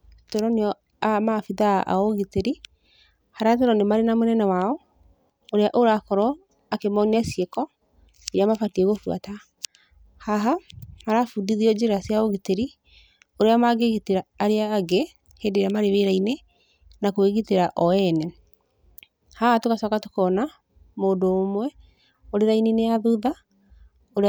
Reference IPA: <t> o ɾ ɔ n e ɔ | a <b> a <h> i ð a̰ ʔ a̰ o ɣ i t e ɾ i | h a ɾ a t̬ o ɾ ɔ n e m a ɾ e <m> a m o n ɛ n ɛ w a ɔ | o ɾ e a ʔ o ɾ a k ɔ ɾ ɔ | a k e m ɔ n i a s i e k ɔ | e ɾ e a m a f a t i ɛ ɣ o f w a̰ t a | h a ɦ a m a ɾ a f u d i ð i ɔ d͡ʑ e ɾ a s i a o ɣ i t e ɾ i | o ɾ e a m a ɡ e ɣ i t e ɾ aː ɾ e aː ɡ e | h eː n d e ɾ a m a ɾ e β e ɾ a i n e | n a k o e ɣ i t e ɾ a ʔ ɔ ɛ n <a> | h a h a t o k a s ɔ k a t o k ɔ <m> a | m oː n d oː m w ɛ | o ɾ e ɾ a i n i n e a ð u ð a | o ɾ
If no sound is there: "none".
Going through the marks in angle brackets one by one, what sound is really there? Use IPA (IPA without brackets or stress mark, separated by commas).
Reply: t, m, f, n, ɛ, n